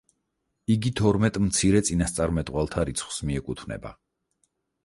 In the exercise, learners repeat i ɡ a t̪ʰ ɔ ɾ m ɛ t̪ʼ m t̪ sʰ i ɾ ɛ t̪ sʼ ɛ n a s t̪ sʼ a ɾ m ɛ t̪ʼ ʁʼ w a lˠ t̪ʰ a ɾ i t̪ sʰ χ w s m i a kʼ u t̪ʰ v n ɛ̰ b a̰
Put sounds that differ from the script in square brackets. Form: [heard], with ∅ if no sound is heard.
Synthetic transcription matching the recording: i ɡ [i] t̪ʰ ɔ ɾ m ɛ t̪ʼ m t̪ sʰ i ɾ ɛ t̪ sʼ [i] n a s t̪ sʼ a ɾ m ɛ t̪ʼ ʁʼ w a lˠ t̪ʰ a ɾ i t̪ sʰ χ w s m i [ɛ] kʼ u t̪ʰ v n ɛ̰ b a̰